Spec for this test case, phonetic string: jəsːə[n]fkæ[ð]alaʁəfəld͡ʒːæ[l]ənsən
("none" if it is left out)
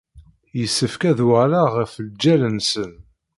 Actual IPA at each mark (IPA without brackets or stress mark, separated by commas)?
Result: none, ð, l